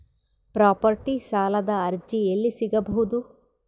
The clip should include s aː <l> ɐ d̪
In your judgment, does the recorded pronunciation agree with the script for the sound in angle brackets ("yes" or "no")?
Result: yes